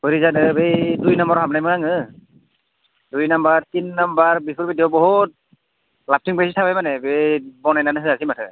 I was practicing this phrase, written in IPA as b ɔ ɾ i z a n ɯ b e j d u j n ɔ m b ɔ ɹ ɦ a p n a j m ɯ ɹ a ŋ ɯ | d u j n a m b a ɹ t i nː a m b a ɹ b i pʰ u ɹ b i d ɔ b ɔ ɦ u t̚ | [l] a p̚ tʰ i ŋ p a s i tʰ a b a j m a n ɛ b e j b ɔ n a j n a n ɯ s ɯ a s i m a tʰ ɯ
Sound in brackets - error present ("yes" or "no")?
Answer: no